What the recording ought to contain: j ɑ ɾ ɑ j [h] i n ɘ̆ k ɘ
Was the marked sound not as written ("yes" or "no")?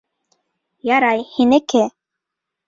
no